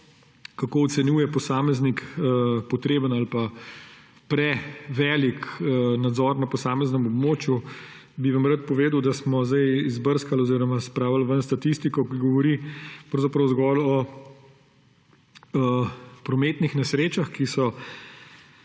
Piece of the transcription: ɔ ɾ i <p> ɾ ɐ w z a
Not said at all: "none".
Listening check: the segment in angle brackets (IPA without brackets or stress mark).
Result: p